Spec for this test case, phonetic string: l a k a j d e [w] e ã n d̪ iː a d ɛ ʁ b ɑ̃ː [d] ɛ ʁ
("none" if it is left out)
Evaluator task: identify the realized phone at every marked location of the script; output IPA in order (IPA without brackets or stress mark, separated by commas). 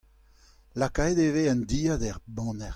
v, n